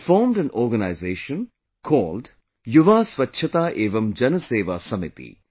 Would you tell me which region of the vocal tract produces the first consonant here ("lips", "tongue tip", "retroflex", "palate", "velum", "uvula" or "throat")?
lips